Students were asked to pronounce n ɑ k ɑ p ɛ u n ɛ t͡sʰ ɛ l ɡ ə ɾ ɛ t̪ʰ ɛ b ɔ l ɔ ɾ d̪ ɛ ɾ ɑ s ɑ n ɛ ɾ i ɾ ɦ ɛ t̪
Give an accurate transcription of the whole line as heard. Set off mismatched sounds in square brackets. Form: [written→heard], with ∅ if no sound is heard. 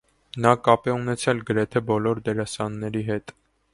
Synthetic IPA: n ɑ k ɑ p ɛ u n ɛ t͡sʰ ɛ l ɡ ə ɾ ɛ t̪ʰ ɛ b ɔ l ɔ ɾ d̪ ɛ ɾ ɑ s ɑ [n→nː] ɛ ɾ i [ɾ→∅] ɦ ɛ t̪